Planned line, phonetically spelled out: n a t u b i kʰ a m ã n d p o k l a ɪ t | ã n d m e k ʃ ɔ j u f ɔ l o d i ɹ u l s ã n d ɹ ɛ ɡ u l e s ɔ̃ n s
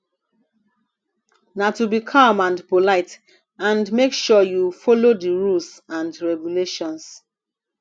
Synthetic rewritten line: n a t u b i kʰ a m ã n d p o l a ɪ t | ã n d m e k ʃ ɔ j u f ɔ l o d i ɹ u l s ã n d ɹ ɛ ɡ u l e ʃ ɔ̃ n s